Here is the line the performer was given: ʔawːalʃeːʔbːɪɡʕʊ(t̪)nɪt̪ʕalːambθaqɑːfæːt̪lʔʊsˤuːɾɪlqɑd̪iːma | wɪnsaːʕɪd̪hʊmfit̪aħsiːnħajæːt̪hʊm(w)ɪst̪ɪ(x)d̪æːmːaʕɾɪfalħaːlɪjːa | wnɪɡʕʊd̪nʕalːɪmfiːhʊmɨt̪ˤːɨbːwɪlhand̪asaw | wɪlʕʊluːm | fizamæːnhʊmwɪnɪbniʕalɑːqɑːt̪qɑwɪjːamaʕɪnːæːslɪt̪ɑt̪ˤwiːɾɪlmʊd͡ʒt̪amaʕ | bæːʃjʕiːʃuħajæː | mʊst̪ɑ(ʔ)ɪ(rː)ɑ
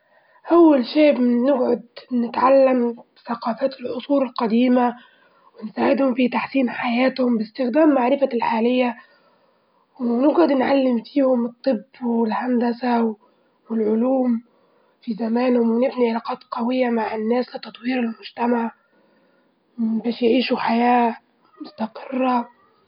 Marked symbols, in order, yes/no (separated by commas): no, no, yes, no, yes